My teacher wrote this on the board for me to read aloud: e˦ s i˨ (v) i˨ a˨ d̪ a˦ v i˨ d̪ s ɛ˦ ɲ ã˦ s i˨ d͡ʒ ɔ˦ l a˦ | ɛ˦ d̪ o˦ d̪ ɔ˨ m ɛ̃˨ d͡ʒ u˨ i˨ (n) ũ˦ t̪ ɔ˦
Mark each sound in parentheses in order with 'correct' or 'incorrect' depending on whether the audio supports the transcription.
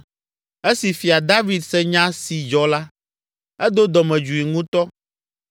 incorrect, incorrect

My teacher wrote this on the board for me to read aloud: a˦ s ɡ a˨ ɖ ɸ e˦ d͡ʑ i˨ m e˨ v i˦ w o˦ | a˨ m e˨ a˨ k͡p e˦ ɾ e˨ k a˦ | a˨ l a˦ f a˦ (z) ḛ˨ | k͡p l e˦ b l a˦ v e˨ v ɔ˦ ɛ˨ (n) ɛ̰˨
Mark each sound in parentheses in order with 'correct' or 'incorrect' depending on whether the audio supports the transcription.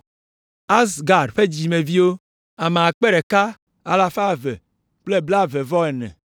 incorrect, correct

